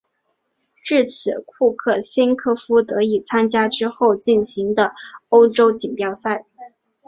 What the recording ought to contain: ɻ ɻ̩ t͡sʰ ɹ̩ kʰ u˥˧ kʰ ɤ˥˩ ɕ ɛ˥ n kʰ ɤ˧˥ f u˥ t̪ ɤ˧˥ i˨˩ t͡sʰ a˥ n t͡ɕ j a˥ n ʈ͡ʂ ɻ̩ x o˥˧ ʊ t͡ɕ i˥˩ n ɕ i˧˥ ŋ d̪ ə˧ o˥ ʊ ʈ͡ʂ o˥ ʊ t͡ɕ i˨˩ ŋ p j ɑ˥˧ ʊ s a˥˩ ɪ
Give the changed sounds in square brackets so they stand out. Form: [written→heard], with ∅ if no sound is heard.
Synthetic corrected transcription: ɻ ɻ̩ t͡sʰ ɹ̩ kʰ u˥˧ kʰ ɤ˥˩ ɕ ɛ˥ n kʰ [ɤ˧˥→ɤ˥] f u˥ t̪ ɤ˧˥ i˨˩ t͡sʰ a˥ n t͡ɕ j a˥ [n→∅] ʈ͡ʂ ɻ̩ x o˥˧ ʊ t͡ɕ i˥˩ n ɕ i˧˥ ŋ d̪ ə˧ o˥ ʊ ʈ͡ʂ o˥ ʊ t͡ɕ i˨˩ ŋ p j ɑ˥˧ ʊ s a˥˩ ɪ

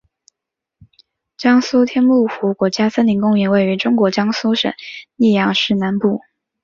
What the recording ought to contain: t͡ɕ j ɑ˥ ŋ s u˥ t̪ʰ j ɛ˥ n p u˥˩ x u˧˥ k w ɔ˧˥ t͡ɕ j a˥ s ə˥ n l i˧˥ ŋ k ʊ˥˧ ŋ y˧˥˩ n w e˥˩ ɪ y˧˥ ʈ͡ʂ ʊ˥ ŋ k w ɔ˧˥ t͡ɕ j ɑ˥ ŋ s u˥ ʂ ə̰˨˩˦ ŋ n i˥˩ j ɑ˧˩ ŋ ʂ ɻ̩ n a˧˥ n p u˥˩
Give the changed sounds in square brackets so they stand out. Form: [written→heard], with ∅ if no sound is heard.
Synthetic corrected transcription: t͡ɕ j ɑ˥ ŋ s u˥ t̪ʰ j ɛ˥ n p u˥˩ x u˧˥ k w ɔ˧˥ t͡ɕ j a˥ s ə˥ n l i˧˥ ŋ k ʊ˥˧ ŋ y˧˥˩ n w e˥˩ ɪ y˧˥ ʈ͡ʂ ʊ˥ ŋ k w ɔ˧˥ t͡ɕ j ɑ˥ ŋ s u˥ ʂ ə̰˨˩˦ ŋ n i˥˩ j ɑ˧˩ ŋ ʂ ɻ̩ n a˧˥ n p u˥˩

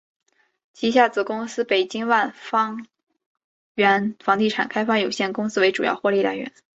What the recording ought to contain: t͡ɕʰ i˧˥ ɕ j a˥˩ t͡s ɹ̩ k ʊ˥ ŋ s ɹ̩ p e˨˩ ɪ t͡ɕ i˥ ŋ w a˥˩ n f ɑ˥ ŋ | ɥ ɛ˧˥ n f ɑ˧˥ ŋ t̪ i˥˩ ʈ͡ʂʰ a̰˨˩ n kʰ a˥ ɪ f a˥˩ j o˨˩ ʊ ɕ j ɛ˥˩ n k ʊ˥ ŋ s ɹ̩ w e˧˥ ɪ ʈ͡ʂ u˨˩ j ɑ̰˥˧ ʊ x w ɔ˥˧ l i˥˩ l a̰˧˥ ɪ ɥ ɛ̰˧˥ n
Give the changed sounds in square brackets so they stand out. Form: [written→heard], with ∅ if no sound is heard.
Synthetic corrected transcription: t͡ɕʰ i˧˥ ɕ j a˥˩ t͡s ɹ̩ k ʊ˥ ŋ s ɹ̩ p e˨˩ ɪ t͡ɕ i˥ ŋ w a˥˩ n f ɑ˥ ŋ | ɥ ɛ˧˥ n f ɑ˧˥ ŋ t̪ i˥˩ ʈ͡ʂʰ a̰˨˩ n kʰ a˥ ɪ f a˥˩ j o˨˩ ʊ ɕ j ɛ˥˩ n k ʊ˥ ŋ s ɹ̩ w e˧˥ ɪ ʈ͡ʂ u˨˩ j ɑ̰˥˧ ʊ x w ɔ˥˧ l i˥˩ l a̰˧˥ ɪ ɥ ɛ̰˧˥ n

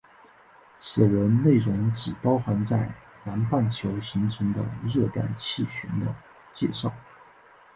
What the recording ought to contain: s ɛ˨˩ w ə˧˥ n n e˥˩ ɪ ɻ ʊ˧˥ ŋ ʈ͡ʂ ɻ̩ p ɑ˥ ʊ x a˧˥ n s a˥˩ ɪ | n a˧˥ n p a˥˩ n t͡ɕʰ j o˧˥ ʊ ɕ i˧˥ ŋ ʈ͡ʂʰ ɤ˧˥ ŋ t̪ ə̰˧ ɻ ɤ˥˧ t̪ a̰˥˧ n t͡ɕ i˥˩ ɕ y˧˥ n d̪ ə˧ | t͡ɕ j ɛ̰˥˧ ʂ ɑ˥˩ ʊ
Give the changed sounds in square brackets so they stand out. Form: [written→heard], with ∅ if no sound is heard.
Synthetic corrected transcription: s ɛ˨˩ w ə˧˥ n n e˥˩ ɪ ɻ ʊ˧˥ ŋ ʈ͡ʂ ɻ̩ p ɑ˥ ʊ x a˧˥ n [s→t͡s] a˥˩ ɪ | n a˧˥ n p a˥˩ n t͡ɕʰ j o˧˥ ʊ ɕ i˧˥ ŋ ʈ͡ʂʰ ɤ˧˥ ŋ [t̪→d̪] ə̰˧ ɻ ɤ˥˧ t̪ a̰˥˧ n [t͡ɕ→t͡ɕʰ] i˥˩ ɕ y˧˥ n d̪ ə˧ | t͡ɕ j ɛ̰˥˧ ʂ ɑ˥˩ ʊ

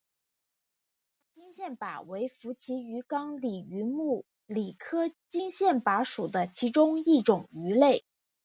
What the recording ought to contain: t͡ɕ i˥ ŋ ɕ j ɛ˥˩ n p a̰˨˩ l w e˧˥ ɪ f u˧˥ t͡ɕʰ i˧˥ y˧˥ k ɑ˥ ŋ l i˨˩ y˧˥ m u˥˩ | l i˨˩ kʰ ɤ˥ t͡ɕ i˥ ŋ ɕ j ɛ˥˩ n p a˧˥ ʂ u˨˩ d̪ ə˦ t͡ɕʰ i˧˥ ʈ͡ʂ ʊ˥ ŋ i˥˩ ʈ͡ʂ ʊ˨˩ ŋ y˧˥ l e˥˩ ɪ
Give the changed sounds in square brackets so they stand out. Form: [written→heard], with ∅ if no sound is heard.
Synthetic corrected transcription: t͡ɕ i˥ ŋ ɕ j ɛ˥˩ n p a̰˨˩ [l→∅] w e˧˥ ɪ f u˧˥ t͡ɕʰ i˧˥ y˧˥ k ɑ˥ ŋ l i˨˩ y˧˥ m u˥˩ | l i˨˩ kʰ ɤ˥ t͡ɕ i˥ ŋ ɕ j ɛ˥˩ n p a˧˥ ʂ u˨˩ d̪ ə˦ t͡ɕʰ i˧˥ ʈ͡ʂ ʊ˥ ŋ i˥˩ ʈ͡ʂ ʊ˨˩ ŋ y˧˥ l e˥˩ ɪ

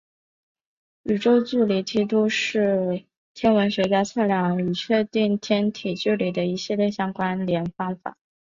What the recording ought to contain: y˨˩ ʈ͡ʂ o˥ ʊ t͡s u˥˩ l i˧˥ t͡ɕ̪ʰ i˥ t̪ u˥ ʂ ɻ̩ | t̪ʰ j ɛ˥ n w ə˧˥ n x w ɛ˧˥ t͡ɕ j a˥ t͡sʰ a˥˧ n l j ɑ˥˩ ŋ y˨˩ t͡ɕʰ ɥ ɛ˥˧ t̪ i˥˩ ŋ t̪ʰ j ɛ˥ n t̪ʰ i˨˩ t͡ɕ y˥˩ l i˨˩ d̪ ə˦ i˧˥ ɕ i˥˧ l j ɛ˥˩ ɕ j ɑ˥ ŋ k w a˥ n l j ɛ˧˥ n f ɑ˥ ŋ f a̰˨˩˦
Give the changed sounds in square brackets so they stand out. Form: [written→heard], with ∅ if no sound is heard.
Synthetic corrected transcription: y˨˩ ʈ͡ʂ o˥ ʊ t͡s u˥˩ l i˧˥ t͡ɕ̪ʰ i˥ t̪ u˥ ʂ ɻ̩ | t̪ʰ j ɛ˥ n w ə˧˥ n [x→ɕ] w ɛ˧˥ t͡ɕ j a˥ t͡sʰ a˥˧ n l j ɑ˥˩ ŋ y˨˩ t͡ɕʰ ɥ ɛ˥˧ t̪ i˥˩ ŋ t̪ʰ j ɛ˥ n t̪ʰ i˨˩ t͡ɕ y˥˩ l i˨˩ d̪ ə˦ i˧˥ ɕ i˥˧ l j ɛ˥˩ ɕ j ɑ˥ ŋ k w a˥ n l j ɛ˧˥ n f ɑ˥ ŋ f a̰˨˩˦

